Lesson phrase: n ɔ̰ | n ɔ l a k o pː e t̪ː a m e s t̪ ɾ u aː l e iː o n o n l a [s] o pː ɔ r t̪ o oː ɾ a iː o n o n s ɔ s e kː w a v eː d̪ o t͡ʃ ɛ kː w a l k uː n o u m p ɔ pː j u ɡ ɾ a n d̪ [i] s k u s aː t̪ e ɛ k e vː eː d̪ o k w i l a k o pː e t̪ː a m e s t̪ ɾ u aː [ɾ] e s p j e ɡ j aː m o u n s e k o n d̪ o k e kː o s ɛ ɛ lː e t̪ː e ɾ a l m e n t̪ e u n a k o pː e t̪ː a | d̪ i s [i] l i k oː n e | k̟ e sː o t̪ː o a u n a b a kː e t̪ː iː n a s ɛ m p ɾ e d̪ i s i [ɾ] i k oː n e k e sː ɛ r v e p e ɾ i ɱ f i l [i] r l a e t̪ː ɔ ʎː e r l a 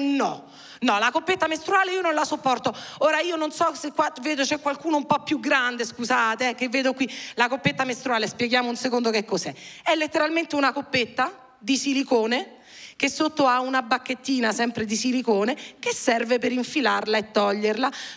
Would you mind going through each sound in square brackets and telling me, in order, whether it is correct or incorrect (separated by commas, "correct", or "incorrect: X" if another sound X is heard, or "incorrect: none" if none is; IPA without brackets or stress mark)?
correct, incorrect: e, incorrect: l, correct, incorrect: l, incorrect: a